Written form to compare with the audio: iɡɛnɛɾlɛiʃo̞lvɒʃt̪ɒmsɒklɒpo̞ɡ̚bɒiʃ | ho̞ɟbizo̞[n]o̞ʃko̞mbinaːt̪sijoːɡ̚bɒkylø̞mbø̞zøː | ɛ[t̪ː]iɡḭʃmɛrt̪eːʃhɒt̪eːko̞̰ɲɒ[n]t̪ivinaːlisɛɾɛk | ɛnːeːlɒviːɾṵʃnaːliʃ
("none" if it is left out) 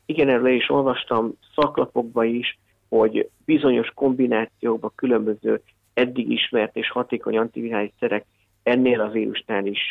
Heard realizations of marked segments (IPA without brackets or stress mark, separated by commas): ɲ, d̪ː, n